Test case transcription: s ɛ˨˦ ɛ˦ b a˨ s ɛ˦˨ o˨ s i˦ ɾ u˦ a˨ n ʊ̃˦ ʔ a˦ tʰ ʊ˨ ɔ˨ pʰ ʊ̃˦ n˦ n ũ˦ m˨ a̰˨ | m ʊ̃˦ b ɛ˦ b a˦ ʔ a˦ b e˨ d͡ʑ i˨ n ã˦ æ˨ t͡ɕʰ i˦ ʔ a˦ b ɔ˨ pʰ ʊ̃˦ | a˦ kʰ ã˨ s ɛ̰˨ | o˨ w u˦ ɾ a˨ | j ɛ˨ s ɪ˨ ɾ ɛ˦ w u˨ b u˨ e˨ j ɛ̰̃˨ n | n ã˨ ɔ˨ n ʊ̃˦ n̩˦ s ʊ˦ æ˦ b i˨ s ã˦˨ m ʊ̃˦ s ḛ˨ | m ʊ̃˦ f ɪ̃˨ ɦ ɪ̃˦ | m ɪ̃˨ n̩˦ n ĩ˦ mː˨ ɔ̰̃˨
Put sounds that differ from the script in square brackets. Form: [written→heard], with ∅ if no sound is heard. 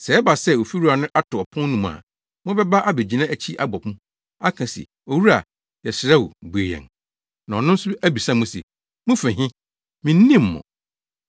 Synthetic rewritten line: s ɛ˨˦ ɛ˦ b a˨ s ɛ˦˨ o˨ [s→f] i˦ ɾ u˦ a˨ n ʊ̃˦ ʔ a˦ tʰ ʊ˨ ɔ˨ pʰ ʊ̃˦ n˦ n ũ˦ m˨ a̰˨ | m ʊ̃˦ b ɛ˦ b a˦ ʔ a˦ b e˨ d͡ʑ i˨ n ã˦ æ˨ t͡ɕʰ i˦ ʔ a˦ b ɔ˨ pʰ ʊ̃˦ | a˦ kʰ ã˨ s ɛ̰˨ | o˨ w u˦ ɾ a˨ | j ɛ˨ s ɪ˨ ɾ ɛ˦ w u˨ b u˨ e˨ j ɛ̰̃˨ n | n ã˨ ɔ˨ n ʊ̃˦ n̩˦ s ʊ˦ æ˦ b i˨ s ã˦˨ m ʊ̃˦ s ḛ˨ | m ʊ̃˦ f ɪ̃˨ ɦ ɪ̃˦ | m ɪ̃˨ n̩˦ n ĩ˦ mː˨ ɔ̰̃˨